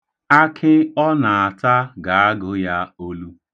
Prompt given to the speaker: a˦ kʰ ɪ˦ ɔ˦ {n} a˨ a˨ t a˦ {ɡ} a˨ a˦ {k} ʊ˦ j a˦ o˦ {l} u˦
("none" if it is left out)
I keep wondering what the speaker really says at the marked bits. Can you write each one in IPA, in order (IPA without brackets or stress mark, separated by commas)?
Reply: n, ɡ, ɡ, l